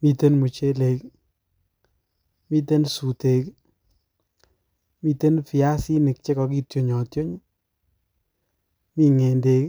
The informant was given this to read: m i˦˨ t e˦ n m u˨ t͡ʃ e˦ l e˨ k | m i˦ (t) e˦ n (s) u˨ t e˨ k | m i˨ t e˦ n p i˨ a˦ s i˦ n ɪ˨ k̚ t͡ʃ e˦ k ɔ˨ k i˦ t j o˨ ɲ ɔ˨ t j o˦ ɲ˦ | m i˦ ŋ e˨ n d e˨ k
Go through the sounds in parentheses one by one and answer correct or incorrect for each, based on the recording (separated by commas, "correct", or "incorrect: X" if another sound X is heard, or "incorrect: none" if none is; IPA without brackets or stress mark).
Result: correct, correct